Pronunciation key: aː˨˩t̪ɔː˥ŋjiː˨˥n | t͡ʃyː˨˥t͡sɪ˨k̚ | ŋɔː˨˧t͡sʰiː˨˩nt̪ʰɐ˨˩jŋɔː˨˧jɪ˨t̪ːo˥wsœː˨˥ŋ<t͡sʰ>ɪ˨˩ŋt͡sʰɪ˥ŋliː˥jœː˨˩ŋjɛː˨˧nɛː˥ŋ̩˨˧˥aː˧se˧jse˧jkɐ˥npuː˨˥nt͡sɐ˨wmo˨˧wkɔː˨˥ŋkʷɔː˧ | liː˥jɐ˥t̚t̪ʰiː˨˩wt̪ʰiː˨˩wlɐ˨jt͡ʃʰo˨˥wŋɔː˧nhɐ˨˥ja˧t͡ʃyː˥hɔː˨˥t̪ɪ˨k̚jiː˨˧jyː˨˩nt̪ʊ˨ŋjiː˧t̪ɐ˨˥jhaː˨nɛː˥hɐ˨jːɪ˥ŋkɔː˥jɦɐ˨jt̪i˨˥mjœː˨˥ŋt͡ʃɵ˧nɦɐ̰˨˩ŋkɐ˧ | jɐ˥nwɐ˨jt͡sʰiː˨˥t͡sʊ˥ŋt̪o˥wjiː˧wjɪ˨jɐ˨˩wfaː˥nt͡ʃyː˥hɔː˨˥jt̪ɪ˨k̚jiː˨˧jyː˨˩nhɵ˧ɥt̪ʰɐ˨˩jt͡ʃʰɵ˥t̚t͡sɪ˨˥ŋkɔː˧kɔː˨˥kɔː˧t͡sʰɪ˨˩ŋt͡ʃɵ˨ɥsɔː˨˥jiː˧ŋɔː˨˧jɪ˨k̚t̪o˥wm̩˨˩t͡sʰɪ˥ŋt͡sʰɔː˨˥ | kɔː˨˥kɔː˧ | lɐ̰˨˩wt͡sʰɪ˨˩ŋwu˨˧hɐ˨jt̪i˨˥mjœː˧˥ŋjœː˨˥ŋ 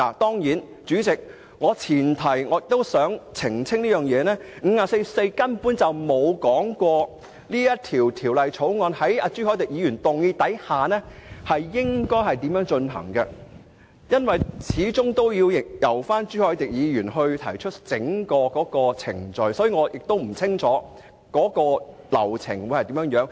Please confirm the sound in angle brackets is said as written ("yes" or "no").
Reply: yes